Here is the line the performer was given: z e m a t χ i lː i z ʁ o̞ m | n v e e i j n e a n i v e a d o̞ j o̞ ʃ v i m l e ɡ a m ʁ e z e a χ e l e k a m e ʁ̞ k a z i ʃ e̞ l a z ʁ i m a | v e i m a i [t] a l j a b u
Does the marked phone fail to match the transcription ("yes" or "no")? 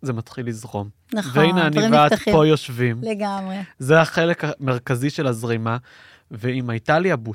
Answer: no